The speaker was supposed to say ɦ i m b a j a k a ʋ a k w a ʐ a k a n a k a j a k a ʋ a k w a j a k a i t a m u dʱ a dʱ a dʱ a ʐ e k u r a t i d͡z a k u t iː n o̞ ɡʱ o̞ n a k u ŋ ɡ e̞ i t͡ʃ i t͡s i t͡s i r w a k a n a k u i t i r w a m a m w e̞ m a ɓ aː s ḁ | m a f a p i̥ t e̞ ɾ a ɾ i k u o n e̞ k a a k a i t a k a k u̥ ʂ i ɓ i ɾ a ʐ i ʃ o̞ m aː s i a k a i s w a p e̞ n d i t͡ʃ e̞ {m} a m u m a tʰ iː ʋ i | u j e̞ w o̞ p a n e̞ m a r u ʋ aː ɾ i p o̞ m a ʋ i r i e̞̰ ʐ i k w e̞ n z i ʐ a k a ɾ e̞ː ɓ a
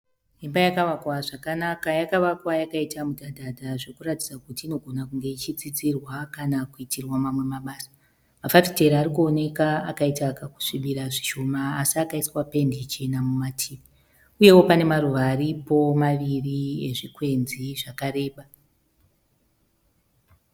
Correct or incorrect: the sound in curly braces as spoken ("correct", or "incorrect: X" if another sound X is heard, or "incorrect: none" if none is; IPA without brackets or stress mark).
incorrect: n